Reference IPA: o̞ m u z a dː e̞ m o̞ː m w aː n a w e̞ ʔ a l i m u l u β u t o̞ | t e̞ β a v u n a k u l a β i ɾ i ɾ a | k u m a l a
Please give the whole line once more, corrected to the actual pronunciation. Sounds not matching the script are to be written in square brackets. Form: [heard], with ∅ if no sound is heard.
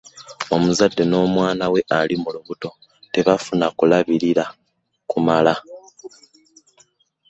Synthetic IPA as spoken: o̞ m u z a dː e̞ [n] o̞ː m w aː n a w e̞ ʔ a l i m u l u β u t o̞ | t e̞ β a [f] u n a k u l a β i ɾ i ɾ a | k u m a l a